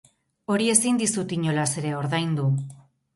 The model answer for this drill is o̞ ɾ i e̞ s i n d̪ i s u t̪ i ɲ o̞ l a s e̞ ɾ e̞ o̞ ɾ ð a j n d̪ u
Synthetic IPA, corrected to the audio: o̞ ɾ i e̞ s i n d̪ i s u t̪ i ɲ o̞ l a s e̞ ɾ e̞ o̞ ɾ ð a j n d̪ u